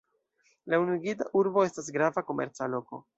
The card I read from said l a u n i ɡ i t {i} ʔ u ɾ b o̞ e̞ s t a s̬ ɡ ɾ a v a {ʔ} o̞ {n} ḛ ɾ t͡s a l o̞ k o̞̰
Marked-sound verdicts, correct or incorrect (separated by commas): incorrect, incorrect, incorrect